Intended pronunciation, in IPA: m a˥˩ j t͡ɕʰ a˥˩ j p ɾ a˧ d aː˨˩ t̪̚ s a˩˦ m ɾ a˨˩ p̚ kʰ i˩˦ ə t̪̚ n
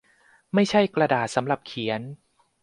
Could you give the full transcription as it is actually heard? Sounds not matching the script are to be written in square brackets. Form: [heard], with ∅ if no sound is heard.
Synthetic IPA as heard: m a˥˩ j t͡ɕʰ a˥˩ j [k] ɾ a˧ d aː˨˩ t̪̚ s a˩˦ m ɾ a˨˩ p̚ kʰ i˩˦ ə [∅] n

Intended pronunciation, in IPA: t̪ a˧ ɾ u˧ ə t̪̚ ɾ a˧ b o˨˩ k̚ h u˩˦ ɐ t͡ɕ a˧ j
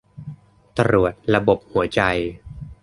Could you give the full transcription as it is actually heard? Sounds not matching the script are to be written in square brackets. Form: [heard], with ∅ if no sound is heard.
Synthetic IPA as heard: t̪ a˧ ɾ [u˨˩] ə t̪̚ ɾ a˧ b o˨˩ [p̚] h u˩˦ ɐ t͡ɕ a˧ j

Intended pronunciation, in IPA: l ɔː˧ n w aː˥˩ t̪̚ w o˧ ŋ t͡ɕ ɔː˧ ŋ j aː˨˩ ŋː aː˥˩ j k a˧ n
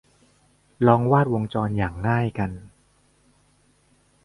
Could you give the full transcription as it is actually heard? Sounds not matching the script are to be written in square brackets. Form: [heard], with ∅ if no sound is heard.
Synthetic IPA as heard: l ɔː˧ [ŋ] w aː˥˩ t̪̚ w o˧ ŋ t͡ɕ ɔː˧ [n] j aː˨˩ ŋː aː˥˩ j k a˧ n

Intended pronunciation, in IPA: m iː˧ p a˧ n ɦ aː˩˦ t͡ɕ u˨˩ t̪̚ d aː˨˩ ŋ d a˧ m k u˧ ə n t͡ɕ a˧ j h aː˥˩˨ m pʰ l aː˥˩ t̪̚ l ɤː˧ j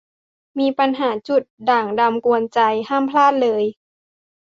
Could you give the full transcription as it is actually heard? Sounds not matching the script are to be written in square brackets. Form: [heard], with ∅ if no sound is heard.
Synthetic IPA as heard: m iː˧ p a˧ n ɦ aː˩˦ t͡ɕ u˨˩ t̪̚ d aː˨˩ ŋ d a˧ m k u˧ ə n t͡ɕ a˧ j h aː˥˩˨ m pʰ l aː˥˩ t̪̚ l ɤː˧ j

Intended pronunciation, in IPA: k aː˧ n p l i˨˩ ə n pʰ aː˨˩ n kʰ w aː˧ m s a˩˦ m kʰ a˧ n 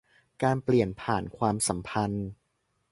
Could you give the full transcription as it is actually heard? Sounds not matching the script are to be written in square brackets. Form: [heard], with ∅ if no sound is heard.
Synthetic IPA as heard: k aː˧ n p l i˨˩ ə n pʰ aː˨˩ n kʰ w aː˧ m s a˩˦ m [pʰ] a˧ n

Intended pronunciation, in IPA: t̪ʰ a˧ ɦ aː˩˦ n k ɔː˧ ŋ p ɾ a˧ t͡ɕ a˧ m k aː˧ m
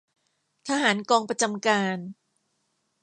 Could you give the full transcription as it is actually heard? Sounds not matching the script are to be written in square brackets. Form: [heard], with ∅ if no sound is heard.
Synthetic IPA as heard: t̪ʰ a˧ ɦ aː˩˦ n k ɔː˧ ŋ p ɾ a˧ t͡ɕ a˧ m k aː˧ [n]

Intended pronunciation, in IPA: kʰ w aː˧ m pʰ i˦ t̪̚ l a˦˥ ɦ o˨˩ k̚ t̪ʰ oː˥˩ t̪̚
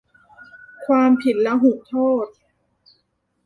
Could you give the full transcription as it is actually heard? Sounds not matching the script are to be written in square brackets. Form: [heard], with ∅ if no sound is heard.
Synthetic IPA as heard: kʰ w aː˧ m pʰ [i˨˩] t̪̚ l [ɛ˦˥] ɦ [u˨˩] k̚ t̪ʰ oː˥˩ t̪̚

